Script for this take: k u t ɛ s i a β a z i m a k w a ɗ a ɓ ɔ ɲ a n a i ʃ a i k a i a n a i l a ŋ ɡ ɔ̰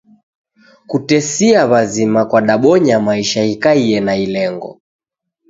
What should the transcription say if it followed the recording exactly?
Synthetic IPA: k u t ɛ s i a β a z i m a k w a ɗ a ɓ ɔ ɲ a m a i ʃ a i k a i ɛ n a i l ɛ ŋ ɡ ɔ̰